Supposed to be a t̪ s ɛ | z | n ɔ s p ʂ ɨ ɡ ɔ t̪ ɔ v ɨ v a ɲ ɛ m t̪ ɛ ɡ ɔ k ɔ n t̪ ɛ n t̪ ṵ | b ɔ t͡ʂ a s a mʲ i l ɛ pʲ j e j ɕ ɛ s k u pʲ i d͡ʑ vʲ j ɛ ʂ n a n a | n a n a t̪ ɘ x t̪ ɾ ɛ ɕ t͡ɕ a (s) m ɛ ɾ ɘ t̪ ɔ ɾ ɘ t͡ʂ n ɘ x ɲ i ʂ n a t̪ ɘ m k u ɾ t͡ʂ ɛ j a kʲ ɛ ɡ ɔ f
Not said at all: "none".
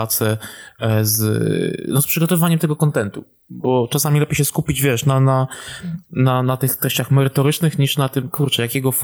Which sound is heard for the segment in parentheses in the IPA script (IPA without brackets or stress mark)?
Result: x